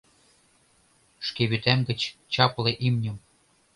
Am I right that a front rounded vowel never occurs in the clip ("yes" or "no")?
no